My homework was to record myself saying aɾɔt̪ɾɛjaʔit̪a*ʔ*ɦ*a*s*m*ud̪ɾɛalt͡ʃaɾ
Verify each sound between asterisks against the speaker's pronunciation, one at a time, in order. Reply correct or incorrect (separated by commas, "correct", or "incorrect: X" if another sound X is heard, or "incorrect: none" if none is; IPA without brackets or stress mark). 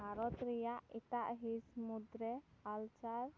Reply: correct, incorrect: i, correct